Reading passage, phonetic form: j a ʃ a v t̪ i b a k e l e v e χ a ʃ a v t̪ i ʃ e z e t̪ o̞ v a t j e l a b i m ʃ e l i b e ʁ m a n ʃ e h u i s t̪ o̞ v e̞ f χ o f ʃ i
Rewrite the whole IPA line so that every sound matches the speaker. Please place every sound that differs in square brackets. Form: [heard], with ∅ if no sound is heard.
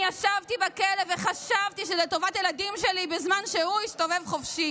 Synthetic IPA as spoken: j a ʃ a v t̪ i b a k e l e v e χ a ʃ a v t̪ i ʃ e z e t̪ o̞ v a t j e l a [d] i m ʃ e l i b e [z] m a n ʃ e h u i s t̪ o̞ v e̞ [v] χ o f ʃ i